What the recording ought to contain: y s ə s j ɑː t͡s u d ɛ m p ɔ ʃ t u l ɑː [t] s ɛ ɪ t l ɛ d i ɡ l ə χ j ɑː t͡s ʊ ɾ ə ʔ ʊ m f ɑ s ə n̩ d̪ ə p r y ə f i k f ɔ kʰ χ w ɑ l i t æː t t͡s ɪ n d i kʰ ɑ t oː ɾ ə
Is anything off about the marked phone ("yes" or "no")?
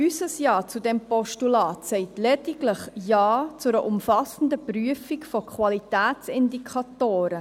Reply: no